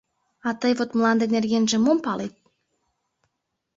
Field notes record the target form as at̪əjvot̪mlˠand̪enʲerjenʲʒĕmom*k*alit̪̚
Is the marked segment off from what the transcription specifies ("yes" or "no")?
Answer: yes